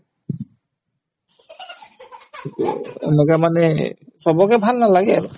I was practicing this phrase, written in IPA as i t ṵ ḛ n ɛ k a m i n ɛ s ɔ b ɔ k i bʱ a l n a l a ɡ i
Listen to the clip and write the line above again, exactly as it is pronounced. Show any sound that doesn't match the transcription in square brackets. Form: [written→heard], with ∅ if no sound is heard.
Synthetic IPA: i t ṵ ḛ n ɛ k a m [i→a] n ɛ s ɔ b ɔ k [i→ɛ] bʱ a l n a l a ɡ [i→ɛ]